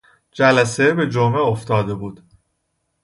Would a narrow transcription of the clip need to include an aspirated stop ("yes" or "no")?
no